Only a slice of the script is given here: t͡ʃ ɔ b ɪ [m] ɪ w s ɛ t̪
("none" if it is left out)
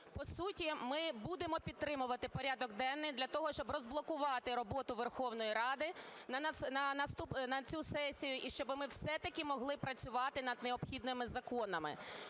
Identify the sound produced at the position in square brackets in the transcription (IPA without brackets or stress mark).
m